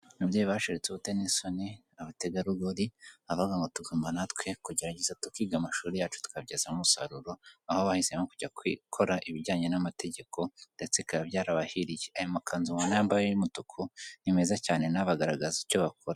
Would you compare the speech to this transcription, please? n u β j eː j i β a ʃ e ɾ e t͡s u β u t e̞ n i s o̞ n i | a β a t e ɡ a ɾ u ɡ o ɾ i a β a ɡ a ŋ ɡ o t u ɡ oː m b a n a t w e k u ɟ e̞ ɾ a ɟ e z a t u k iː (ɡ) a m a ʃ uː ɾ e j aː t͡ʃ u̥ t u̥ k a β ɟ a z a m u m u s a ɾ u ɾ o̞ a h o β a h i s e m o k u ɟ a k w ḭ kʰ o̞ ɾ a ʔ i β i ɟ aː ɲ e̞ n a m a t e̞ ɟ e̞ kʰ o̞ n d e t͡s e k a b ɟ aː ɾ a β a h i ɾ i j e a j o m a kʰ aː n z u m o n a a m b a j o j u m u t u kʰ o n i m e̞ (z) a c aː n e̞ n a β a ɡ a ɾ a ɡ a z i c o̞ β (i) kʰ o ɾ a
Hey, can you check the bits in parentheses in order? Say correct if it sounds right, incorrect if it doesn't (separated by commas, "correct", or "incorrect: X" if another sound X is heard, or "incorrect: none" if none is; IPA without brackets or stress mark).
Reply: correct, correct, incorrect: a